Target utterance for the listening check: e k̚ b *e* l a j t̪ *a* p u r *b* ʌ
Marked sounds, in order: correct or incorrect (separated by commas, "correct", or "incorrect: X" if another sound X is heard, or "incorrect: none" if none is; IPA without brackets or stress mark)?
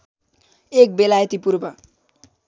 correct, incorrect: i, correct